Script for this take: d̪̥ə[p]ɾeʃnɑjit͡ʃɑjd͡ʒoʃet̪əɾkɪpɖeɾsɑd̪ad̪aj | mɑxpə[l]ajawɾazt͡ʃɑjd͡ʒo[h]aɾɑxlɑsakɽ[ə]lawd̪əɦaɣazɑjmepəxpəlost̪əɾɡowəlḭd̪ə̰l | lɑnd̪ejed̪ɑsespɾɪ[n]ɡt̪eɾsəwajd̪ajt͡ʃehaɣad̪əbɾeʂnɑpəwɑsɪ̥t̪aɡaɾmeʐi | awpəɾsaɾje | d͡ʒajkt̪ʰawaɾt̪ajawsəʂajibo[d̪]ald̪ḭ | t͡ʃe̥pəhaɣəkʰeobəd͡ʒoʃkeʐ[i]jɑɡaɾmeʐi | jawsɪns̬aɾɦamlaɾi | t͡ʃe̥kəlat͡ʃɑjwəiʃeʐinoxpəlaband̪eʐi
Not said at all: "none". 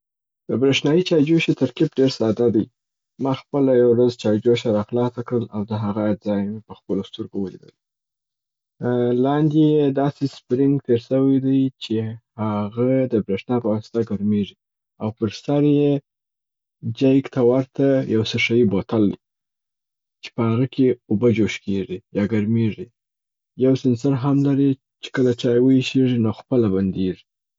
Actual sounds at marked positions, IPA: b, l, ʃ, ə, ŋ, t̪, i

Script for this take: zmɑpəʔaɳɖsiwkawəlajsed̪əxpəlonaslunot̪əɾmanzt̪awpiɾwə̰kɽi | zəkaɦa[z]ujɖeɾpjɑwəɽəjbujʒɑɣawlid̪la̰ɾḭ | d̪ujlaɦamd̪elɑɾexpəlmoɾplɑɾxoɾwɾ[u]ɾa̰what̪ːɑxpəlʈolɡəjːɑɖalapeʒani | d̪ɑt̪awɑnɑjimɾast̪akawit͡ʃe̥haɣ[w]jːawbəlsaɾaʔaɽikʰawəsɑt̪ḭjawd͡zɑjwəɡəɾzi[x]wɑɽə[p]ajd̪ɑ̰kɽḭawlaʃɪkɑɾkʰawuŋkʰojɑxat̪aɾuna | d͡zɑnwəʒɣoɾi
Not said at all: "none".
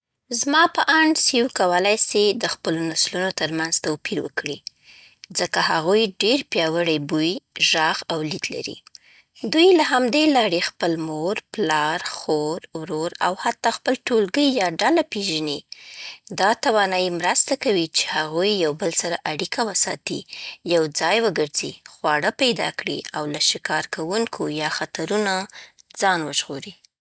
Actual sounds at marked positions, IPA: ɣ, o, u, x, p

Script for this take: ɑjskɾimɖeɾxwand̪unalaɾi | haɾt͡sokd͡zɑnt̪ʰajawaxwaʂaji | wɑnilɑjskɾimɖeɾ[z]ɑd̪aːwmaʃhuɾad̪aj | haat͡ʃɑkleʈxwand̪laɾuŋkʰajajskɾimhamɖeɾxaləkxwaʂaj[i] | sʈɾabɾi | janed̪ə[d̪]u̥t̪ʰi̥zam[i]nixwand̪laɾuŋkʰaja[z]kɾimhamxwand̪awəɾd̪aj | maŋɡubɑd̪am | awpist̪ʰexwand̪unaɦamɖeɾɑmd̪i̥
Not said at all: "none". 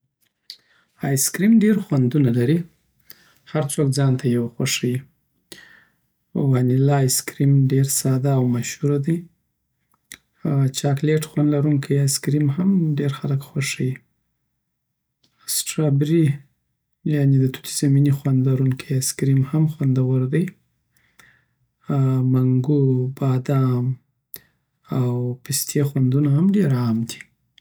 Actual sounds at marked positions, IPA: s, i, t̪, i, s

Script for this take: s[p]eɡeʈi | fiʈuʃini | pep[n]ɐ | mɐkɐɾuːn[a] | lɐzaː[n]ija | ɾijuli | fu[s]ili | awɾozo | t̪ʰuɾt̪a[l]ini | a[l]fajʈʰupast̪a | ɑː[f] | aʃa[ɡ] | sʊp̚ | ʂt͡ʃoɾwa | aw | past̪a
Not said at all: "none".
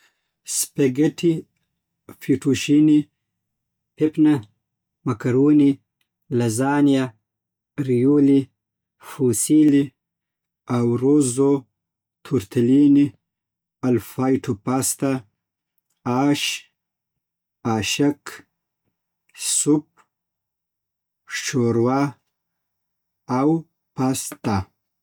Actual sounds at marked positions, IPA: p, n, i, n, s, l, l, ʃ, k

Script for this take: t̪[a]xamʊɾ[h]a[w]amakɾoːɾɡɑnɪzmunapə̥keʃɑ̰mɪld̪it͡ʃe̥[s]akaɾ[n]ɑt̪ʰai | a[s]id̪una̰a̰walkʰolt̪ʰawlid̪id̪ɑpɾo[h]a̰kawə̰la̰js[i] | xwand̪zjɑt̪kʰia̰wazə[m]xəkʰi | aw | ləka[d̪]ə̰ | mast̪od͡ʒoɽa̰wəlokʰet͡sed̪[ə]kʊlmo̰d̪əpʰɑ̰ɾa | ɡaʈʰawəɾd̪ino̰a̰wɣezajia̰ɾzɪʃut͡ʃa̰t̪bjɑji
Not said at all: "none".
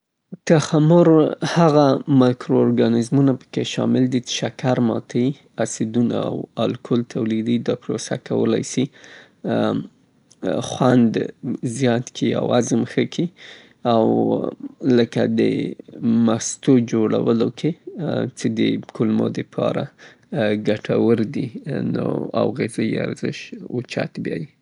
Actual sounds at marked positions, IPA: a, h, ɣ, ʃ, m, s, s, i, m, d̪, ə

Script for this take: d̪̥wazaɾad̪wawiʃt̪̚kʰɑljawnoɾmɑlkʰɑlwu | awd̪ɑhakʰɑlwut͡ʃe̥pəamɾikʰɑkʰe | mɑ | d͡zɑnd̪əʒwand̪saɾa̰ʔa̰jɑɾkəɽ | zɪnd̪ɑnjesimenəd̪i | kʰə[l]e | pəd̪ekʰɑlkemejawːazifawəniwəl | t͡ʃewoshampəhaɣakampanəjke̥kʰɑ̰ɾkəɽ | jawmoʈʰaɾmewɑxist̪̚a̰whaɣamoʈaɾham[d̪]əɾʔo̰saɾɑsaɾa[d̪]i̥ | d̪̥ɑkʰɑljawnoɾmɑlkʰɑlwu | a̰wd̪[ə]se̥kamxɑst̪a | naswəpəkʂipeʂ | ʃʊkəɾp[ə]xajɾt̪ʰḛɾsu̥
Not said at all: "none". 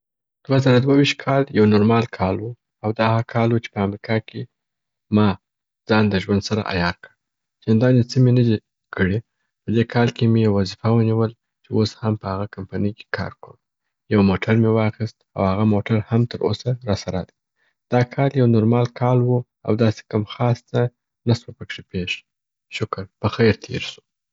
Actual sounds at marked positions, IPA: ɽ, t̪, d̪, ɑ, ə

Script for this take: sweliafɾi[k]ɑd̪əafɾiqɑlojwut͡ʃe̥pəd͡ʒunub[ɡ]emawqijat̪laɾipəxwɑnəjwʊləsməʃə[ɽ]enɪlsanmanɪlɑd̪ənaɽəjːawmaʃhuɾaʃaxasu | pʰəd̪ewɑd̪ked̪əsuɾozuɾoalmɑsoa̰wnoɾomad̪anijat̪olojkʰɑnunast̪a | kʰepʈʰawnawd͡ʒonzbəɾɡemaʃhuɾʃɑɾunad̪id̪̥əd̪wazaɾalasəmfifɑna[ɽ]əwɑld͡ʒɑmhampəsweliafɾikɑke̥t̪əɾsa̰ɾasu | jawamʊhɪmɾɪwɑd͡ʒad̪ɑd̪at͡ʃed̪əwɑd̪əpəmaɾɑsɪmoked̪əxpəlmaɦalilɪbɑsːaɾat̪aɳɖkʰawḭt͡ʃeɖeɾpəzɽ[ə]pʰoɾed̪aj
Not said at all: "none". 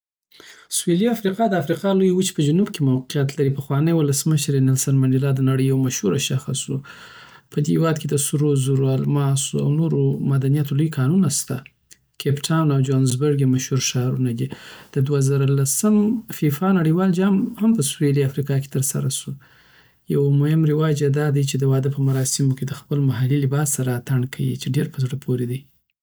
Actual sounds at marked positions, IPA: q, k, ɾ, ɽ, ə

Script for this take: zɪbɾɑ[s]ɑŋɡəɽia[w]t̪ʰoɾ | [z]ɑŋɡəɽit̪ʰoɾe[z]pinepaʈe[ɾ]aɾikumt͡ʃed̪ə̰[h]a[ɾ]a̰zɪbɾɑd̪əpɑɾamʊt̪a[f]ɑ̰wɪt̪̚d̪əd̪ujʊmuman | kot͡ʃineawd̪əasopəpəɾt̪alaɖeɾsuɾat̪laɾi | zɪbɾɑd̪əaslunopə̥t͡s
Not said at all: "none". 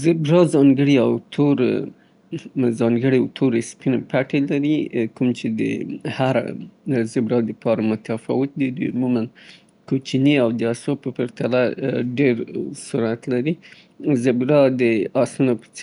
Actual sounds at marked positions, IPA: z, w, z, s, l, h, ɾ, f

